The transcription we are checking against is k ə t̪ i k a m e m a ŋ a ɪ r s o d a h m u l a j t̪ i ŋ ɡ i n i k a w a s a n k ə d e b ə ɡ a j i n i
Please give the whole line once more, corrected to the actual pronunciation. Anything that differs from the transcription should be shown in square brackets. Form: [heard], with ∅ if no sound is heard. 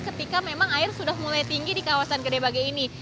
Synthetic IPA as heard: k ə t̪ i k a m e m a ŋ a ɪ r s [u] d a h m u l a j t̪ i ŋ ɡ i [d] i k a w a s a n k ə d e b [a] ɡ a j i n i